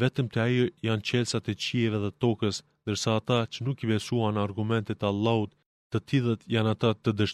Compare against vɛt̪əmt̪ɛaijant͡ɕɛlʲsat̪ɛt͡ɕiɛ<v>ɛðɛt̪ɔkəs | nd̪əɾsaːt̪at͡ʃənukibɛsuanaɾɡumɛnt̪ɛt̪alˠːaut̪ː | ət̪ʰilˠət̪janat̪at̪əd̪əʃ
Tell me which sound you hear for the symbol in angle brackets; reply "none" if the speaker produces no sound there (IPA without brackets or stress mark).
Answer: v